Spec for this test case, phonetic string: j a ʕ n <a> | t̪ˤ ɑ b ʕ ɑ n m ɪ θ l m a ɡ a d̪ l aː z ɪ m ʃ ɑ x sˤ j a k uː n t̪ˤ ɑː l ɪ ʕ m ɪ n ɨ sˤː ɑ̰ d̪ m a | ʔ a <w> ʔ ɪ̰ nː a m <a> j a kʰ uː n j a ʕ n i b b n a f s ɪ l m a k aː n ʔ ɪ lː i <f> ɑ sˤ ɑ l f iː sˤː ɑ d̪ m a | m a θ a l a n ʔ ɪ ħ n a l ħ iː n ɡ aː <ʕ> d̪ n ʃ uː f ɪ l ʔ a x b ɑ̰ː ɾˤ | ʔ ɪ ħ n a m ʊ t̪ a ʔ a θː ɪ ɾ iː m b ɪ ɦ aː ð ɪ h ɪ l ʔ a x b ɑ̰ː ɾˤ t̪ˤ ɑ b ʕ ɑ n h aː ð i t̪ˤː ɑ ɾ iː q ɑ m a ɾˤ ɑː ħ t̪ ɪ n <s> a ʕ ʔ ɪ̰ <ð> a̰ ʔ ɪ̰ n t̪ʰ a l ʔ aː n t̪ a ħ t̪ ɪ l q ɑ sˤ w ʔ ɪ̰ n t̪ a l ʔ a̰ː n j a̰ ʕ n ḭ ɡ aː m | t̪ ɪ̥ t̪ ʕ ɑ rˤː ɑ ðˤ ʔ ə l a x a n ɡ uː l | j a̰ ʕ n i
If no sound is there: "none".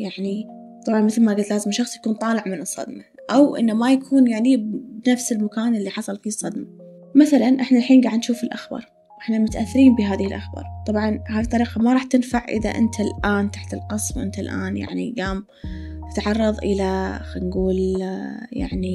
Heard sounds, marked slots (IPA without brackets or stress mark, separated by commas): i, w, a, ħ, ʕ, f, ð